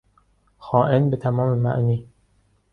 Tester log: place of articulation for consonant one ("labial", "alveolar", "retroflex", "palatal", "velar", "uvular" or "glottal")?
velar